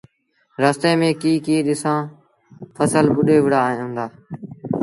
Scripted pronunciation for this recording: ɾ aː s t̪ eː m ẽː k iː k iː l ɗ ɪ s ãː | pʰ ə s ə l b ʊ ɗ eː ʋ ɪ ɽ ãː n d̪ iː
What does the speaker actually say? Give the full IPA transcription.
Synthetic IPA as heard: ɾ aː s t̪ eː m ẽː k iː k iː ɗ ɪ s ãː | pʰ ə s ə l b ʊ ɗ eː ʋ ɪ ɽ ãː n d̪ aː